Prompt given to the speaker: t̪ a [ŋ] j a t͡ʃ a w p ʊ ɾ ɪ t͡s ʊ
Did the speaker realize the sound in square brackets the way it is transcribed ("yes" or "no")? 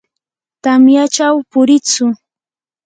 no